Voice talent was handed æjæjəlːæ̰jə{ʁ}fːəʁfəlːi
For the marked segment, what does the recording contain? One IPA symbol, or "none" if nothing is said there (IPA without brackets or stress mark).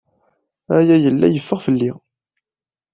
none